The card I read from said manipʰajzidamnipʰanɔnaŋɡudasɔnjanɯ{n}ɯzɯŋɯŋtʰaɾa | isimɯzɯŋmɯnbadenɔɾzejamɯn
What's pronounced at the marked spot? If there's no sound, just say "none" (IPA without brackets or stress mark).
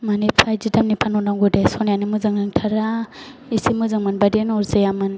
m